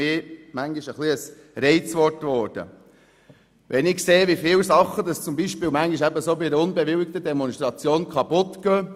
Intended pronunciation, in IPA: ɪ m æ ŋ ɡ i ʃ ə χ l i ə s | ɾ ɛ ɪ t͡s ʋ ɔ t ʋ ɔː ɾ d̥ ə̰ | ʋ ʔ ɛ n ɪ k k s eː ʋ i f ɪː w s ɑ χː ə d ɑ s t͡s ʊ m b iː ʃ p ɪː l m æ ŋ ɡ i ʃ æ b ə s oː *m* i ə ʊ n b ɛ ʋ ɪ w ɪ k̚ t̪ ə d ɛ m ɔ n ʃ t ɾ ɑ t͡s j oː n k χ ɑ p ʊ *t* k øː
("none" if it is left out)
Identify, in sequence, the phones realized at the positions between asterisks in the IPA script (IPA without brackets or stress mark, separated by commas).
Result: b, t